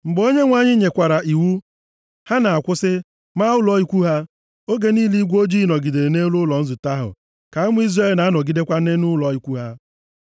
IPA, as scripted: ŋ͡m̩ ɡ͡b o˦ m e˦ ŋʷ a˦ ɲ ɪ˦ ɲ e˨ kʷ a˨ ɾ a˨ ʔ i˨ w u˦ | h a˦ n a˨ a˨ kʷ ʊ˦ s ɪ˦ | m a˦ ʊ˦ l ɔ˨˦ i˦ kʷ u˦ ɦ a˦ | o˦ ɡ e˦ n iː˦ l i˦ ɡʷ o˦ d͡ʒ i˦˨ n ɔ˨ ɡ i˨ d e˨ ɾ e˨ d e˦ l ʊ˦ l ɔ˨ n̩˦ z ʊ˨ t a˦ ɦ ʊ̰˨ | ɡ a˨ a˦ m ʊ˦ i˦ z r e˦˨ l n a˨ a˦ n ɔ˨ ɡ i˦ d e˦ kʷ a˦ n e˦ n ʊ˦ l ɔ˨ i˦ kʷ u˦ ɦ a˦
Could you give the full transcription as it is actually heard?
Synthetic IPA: ŋ͡m̩ ɡ͡b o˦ ɲ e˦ ŋʷ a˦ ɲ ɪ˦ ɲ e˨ kʷ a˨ ɾ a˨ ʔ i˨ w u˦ | h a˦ n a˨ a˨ kʷ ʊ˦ s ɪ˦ | m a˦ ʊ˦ l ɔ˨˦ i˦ kʷ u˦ ɦ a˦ | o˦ ɡ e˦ n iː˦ l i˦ ɡʷ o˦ d͡ʒ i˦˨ n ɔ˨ ɡ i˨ d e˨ ɾ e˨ n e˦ l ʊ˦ l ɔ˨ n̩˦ z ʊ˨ t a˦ ɦ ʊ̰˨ | k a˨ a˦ m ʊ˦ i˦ z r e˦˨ l n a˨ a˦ n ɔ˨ ɡ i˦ d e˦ kʷ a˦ n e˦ n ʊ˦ l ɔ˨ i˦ kʷ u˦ ɦ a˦